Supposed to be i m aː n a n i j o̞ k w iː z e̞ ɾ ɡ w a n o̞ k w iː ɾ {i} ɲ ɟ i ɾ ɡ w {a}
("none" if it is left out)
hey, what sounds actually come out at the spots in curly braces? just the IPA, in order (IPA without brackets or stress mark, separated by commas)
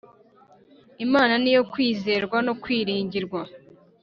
iː, a